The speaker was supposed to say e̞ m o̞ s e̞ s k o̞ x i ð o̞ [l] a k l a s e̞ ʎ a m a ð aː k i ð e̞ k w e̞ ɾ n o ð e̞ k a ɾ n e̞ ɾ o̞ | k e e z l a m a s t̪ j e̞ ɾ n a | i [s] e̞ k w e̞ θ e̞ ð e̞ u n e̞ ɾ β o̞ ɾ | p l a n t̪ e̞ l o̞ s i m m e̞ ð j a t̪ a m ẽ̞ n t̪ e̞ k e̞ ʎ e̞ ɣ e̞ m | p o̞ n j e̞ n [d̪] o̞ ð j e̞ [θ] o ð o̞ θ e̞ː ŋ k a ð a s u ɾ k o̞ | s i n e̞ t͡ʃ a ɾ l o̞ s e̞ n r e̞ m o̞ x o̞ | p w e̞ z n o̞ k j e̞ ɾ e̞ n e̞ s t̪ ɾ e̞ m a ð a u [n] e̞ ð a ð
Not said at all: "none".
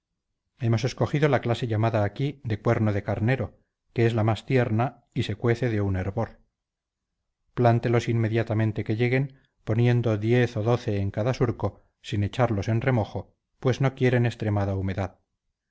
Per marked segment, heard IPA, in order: l, s, d̪, θ, m

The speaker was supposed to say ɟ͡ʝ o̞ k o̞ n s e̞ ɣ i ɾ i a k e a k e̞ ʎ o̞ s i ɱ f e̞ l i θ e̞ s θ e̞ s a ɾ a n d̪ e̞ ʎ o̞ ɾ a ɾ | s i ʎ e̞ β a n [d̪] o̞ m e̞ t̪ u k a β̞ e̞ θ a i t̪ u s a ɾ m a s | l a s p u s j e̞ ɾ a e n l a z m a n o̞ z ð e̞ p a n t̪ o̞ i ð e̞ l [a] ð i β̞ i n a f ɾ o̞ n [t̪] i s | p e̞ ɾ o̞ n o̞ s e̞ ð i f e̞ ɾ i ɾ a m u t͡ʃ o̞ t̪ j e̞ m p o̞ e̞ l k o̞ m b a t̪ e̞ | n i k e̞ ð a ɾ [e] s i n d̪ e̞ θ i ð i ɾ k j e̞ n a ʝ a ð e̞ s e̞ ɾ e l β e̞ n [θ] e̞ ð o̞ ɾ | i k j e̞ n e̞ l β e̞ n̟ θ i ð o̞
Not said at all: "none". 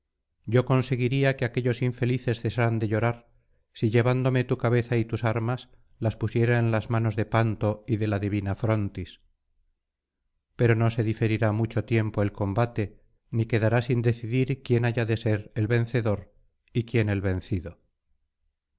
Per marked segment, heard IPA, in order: d̪, a, t̪, a, θ

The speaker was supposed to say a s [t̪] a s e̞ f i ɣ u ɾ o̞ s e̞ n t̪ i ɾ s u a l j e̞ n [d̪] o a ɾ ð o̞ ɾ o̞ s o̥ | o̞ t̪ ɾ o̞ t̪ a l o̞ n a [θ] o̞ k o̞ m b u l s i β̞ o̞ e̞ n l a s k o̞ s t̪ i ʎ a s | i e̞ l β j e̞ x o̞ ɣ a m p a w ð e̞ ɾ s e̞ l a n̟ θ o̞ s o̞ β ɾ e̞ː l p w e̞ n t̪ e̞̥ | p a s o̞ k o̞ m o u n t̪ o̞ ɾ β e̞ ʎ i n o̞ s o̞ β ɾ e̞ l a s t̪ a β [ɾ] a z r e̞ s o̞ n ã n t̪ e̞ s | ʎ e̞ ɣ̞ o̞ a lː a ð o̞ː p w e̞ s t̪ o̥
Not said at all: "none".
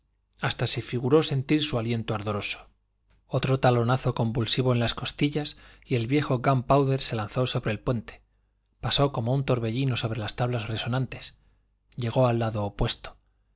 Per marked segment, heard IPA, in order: t̪, t̪, θ, l

